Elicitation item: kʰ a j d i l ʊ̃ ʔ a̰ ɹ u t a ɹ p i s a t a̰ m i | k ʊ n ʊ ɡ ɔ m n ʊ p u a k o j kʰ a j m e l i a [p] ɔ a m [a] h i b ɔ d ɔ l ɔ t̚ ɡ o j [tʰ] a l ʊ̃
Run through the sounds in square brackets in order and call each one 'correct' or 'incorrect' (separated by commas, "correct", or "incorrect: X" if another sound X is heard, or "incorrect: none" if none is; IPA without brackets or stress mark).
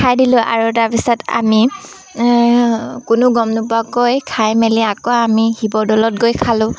incorrect: k, incorrect: i, incorrect: kʰ